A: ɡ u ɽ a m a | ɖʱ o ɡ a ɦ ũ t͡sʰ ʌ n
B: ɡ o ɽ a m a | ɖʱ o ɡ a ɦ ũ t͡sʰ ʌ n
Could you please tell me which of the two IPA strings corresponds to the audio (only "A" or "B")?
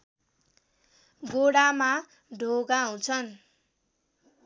B